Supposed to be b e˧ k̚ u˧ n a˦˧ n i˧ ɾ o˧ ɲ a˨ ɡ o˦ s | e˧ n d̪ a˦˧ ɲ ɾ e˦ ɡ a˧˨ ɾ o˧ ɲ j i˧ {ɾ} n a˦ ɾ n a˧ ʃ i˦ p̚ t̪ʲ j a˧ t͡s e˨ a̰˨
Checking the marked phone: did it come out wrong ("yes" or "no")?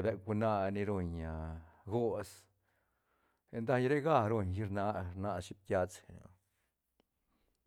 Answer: no